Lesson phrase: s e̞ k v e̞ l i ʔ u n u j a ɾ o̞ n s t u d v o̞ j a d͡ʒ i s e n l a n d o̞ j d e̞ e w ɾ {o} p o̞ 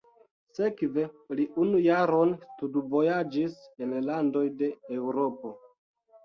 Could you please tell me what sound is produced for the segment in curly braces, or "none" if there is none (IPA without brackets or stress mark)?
o